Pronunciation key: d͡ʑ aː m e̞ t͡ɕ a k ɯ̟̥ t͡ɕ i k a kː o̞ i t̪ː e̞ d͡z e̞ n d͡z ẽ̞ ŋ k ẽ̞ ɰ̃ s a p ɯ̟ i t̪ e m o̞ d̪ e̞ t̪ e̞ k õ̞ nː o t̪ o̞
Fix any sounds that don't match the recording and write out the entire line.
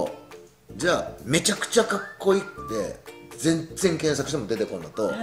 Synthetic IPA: d͡ʑ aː m e̞ t͡ɕ a k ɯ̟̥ t͡ɕ a k a kː o̞ i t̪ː e̞ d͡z ẽ̞ n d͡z ẽ̞ ŋ k ẽ̞ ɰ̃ s a k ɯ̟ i t̪ e m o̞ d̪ e̞ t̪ e̞ k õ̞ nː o t̪ o̞